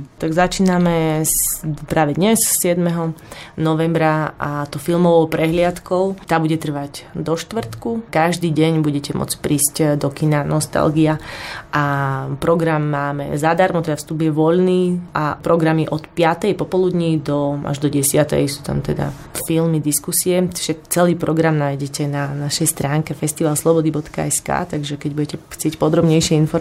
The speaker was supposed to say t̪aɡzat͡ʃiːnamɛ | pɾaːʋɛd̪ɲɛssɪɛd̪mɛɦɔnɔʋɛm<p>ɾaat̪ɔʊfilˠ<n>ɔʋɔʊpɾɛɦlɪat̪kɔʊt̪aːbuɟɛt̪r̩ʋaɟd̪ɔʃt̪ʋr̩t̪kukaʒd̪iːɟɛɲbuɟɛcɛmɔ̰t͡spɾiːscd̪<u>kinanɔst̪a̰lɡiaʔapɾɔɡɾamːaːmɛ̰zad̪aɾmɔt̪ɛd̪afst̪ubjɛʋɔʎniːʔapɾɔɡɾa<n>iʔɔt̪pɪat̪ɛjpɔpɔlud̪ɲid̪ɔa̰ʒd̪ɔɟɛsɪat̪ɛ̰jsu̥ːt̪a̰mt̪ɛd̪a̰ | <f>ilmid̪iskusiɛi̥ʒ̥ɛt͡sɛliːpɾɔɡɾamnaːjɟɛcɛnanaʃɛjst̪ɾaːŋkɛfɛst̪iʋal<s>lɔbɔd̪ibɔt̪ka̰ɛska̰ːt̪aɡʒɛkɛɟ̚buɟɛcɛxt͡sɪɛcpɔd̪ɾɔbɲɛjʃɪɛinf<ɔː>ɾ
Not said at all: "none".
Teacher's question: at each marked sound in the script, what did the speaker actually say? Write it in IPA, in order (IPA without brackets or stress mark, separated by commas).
b, m, ɔ, m, f, s, ɔ